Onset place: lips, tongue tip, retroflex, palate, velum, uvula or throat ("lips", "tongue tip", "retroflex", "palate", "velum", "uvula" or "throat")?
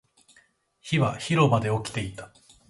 palate